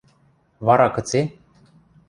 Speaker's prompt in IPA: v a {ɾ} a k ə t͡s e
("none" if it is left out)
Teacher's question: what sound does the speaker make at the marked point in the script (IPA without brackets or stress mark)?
ɾ